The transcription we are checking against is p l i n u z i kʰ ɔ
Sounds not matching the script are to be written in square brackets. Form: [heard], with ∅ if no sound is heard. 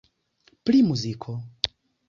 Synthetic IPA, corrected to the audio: p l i [m] u z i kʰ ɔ